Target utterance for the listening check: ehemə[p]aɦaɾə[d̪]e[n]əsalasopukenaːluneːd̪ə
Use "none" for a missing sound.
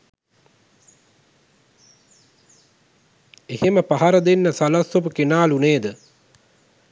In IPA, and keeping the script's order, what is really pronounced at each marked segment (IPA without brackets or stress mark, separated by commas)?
p, d̪, nː